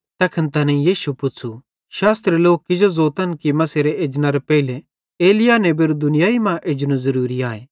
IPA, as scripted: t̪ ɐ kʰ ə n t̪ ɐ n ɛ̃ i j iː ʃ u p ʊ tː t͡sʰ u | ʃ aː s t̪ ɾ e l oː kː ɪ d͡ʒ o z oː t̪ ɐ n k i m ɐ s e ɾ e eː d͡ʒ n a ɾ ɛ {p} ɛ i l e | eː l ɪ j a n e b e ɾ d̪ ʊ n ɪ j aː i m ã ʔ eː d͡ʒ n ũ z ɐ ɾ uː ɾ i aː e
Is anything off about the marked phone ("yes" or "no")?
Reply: no